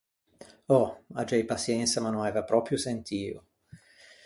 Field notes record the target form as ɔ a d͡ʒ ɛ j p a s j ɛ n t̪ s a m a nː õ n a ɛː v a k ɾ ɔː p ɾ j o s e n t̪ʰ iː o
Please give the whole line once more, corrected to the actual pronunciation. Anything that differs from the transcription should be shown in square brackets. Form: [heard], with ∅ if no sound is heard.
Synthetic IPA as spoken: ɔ a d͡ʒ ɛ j p a s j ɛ n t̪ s a m a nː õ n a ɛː v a [p] ɾ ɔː p ɾ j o s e n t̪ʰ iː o